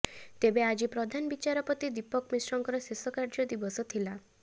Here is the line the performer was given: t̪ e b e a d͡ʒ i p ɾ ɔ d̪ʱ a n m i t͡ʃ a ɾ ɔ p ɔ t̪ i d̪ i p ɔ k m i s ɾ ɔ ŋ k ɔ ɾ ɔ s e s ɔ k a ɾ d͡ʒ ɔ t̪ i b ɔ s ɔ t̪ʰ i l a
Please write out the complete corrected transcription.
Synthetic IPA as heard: t̪ e b e a d͡ʒ i p ɾ ɔ d̪ʱ a n b i t͡ʃ a ɾ ɔ p ɔ t̪ i d̪ i p ɔ k m i s ɾ ɔ ŋ k ɔ ɾ ɔ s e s ɔ k a ɾ d͡ʒ ɔ d̪ i b ɔ s ɔ t̪ʰ i l a